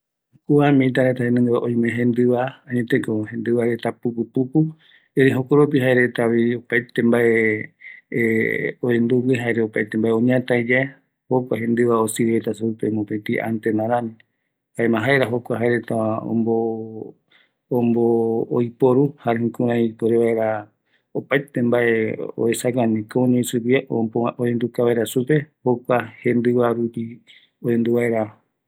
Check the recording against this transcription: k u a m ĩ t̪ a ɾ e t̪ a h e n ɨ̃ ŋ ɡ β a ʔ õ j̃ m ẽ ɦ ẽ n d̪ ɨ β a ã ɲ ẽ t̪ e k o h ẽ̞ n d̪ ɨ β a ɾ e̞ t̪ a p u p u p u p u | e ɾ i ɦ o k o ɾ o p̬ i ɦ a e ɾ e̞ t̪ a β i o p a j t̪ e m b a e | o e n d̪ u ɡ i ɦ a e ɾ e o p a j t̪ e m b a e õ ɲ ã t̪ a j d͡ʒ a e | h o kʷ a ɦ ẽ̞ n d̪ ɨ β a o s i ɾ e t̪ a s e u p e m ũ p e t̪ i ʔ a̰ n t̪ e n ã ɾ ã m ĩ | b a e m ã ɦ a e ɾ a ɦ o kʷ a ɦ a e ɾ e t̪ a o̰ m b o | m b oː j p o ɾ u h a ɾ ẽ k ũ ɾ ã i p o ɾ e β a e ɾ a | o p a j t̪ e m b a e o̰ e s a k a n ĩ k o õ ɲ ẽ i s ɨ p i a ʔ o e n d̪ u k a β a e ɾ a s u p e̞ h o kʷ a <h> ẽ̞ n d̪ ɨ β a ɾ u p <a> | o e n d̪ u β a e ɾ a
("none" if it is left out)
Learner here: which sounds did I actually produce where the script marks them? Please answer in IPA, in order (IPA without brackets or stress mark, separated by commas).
h, i